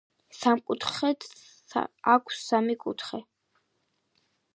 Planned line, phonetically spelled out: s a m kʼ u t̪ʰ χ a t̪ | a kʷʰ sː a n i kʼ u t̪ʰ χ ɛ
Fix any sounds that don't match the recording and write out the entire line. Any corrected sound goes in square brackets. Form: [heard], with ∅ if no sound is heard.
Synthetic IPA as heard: s a m kʼ u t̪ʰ χ [ɛ] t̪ | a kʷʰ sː a [m] i kʼ u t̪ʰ χ ɛ